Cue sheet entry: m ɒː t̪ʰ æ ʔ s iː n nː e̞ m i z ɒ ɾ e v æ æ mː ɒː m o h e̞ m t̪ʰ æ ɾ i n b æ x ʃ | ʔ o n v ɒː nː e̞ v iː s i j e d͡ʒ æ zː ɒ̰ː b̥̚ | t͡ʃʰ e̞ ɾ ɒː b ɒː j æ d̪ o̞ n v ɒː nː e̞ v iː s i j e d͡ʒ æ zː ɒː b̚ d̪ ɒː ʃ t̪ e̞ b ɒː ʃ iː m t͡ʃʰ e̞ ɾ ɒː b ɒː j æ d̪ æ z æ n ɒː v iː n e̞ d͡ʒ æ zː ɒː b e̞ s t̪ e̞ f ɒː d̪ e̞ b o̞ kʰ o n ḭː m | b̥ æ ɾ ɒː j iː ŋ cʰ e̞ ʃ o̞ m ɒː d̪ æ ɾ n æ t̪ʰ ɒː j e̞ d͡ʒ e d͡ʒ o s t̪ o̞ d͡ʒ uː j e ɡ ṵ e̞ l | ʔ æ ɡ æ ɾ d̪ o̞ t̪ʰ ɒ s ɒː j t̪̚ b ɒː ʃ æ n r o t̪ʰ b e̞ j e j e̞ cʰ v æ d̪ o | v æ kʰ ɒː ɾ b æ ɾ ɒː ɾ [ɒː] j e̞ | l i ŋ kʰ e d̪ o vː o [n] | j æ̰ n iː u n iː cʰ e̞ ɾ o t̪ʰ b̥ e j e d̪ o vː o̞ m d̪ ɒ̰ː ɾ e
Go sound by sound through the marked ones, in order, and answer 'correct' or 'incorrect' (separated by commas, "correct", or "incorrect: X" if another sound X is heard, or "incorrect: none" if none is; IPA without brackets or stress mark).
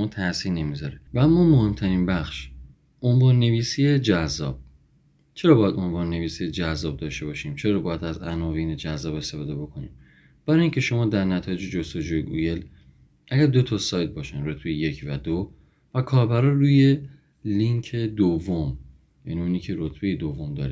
incorrect: uː, incorrect: m